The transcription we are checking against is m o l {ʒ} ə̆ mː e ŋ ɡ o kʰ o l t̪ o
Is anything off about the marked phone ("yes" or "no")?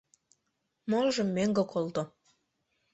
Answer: no